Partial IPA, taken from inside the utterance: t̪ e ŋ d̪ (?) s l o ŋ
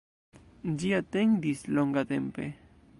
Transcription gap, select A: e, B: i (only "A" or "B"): B